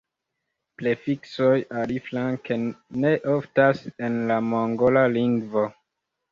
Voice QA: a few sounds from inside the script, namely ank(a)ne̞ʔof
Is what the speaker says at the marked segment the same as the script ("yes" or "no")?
no